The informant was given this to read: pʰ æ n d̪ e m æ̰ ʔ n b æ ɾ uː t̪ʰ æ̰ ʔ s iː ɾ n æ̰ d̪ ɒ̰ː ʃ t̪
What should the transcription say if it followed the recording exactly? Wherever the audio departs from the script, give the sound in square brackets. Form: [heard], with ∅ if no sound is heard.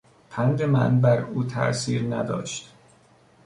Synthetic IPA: pʰ æ n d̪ e m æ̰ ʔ n b æ ɾ uː t̪ʰ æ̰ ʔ s iː ɾ n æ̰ d̪ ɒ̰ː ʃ t̪